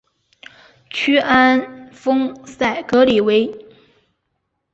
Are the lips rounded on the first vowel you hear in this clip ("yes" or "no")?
yes